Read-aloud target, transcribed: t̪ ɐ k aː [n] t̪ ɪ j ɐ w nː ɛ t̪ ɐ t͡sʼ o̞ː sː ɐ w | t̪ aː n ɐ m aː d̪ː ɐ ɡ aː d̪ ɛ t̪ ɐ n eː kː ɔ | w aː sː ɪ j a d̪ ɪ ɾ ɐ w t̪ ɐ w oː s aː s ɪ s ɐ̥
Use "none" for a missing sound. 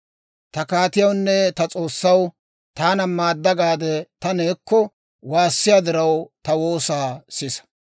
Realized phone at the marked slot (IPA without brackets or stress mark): none